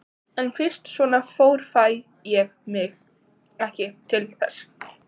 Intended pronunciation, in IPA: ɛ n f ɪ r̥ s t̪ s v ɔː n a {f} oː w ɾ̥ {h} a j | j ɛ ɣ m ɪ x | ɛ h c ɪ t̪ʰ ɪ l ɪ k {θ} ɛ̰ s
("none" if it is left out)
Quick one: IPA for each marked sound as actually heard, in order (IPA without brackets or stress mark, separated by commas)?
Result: f, f, θ